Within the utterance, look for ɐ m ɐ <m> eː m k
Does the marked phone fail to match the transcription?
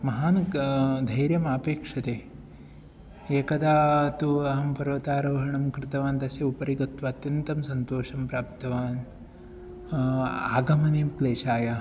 yes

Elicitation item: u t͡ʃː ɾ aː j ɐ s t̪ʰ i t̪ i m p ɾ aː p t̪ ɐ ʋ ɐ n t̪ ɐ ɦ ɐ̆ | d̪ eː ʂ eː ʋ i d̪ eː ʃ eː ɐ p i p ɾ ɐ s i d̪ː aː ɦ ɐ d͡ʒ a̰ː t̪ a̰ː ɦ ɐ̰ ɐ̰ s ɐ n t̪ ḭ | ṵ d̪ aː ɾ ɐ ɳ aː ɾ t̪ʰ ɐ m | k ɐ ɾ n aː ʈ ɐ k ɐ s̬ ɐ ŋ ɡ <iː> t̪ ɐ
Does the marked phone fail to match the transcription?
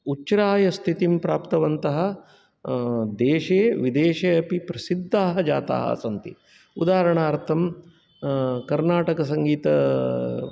no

